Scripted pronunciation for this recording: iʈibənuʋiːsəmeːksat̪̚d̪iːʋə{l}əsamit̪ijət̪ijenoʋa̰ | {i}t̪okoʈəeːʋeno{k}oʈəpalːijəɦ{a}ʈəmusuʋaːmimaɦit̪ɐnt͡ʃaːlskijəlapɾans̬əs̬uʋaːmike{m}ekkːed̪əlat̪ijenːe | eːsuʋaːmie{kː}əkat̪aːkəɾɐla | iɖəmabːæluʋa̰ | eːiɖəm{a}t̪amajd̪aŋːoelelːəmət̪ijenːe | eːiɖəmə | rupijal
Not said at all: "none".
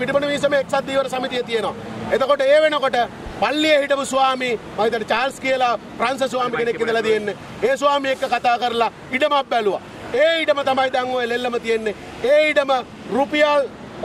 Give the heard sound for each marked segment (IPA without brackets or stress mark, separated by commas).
ɾ, e, k, i, n, kː, ə